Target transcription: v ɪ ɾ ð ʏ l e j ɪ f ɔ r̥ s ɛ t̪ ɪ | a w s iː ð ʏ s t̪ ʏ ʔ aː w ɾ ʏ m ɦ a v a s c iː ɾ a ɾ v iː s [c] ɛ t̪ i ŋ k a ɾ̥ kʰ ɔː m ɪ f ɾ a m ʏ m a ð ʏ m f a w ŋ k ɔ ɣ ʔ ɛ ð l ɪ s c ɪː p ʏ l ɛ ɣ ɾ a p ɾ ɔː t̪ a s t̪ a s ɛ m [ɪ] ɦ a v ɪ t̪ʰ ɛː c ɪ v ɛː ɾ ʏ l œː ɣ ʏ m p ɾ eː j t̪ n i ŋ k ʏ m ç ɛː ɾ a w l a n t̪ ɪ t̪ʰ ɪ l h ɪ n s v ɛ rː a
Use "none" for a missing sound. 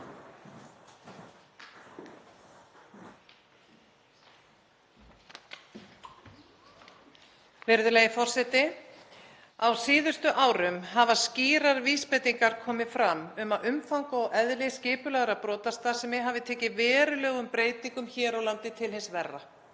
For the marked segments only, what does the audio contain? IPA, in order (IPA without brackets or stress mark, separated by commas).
p, ɪ